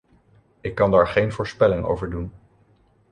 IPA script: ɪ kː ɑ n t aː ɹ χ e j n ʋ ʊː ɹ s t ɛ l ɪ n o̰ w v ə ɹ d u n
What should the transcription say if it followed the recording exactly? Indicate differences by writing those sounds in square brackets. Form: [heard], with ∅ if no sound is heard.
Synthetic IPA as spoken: ɪ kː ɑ n [d] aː ɹ χ e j n [v] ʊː ɹ s [p] ɛ l ɪ [ŋ] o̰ w v ə ɹ d u n